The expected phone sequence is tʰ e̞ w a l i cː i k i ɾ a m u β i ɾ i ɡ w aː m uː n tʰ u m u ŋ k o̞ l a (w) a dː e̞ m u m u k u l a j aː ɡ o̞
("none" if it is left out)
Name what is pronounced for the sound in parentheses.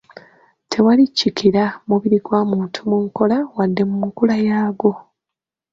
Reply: w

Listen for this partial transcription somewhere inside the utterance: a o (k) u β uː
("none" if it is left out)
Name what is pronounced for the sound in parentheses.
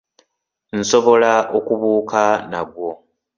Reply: k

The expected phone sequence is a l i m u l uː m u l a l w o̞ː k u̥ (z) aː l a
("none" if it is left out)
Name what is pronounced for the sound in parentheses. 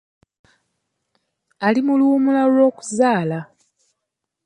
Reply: z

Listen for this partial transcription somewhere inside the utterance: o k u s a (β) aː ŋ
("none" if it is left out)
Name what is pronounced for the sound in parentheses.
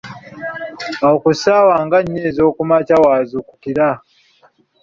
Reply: w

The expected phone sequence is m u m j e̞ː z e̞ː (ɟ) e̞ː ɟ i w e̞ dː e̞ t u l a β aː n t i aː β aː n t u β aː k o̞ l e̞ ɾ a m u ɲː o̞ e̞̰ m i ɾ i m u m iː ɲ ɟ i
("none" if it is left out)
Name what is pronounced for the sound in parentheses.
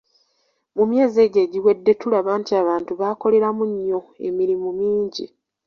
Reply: ɟ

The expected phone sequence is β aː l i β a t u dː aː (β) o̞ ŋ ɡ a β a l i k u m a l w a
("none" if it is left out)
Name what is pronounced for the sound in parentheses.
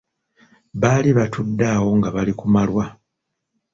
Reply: w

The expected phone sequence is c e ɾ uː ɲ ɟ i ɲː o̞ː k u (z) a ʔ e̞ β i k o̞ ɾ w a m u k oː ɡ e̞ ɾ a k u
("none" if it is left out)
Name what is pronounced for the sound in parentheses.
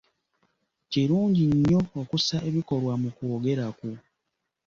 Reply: s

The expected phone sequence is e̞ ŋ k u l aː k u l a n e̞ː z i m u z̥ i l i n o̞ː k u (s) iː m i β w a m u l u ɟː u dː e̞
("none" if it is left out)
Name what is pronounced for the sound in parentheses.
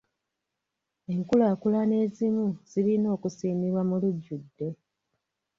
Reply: s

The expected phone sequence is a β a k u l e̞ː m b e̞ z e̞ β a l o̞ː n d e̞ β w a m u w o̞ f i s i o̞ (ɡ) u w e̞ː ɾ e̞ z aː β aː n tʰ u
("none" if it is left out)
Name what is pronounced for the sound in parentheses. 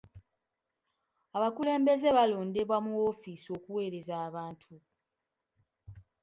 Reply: k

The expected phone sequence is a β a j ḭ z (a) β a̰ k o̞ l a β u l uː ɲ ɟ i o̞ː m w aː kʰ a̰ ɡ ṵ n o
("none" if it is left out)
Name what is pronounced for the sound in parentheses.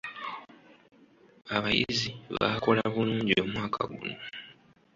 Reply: i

